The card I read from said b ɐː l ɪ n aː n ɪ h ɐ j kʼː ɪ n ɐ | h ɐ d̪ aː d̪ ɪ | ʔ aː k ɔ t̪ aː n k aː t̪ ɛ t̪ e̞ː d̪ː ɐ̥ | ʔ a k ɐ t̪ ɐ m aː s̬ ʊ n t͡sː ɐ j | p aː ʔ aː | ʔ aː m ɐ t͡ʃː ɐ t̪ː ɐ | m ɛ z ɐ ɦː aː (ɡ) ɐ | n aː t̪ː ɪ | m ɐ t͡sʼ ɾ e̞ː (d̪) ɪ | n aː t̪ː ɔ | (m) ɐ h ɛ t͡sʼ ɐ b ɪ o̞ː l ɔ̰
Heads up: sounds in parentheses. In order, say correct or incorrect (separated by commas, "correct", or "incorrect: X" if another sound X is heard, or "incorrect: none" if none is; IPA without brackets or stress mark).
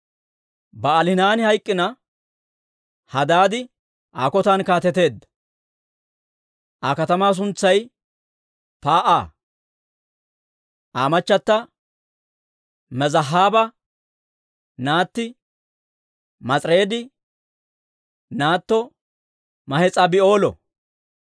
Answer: incorrect: b, correct, correct